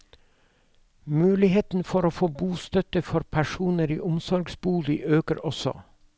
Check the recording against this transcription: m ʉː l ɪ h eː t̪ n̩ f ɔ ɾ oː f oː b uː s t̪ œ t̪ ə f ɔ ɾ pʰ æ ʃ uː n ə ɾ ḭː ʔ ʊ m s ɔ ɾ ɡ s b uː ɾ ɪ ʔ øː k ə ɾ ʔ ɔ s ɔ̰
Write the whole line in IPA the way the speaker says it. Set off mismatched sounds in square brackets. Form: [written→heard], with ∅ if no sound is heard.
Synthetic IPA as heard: m ʉː l ɪ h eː t̪ n̩ f ɔ ɾ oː f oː b uː s t̪ œ t̪ ə f ɔ ɾ pʰ æ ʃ uː n ə ɾ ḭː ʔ ʊ m s ɔ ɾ ɡ s b uː [ɾ→l] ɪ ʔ øː k ə ɾ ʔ ɔ s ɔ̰

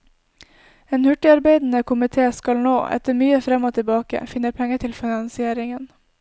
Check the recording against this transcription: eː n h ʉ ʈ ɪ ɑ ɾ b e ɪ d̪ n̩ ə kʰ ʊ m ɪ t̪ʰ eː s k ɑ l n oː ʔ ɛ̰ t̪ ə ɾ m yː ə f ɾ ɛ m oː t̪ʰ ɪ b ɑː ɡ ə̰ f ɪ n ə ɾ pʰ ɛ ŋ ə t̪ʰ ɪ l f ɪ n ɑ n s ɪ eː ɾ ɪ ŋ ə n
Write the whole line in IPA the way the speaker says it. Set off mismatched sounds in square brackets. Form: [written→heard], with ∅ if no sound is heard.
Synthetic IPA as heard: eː n h ʉ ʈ ɪ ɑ ɾ b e ɪ d̪ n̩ ə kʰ ʊ m ɪ t̪ʰ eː s k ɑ l n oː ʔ ɛ̰ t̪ ə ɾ m yː ə f ɾ ɛ m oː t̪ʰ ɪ b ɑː [ɡ→k] ə̰ f ɪ n ə ɾ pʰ ɛ ŋ ə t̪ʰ ɪ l f ɪ n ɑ n s ɪ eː ɾ ɪ ŋ ə n

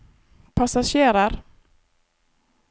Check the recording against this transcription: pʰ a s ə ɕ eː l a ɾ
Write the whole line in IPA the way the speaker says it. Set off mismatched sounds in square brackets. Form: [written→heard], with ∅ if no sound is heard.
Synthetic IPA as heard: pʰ a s [ə→a] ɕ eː [l→ɾ] a ɾ

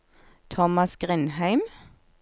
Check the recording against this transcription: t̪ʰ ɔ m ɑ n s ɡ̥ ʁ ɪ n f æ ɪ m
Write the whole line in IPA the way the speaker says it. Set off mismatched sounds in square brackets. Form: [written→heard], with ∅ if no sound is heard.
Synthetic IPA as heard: t̪ʰ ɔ m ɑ [n→∅] s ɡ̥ ʁ ɪ n [f→h] æ ɪ m

